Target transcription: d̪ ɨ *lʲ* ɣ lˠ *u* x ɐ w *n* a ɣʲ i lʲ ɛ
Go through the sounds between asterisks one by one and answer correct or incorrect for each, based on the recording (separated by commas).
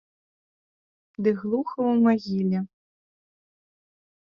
incorrect, correct, incorrect